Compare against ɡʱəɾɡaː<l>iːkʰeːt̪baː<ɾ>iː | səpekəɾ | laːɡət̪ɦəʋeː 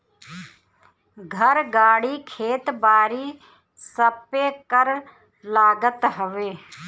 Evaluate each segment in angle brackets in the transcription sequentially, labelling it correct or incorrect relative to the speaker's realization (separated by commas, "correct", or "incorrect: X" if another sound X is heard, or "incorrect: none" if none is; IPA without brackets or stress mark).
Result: incorrect: ɽ, correct